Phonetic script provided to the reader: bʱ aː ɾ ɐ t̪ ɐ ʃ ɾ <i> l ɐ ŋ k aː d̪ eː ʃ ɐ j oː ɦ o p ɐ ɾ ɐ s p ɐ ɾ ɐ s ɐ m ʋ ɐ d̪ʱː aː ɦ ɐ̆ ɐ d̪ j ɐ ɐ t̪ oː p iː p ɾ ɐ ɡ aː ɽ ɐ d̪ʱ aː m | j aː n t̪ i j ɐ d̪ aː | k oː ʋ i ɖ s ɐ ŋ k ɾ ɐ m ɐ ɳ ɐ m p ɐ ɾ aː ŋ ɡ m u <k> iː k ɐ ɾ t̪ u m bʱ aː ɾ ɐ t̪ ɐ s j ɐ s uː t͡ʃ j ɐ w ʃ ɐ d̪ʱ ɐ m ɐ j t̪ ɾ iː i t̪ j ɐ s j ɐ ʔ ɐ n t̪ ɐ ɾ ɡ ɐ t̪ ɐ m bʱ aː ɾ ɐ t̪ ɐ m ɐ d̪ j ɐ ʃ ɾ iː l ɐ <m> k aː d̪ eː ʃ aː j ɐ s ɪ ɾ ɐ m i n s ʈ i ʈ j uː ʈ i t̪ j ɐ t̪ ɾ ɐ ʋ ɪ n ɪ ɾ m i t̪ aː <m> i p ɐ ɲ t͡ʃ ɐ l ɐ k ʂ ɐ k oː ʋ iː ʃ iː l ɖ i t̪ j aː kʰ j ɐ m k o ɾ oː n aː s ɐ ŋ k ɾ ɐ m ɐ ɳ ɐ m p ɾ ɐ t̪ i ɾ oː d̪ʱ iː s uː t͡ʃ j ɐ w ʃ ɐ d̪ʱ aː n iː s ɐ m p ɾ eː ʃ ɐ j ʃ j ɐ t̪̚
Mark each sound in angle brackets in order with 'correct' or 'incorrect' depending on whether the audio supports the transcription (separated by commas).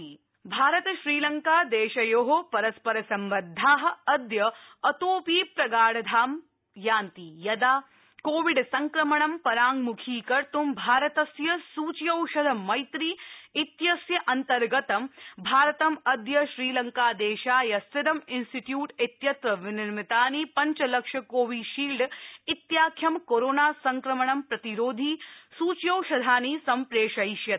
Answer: incorrect, incorrect, incorrect, incorrect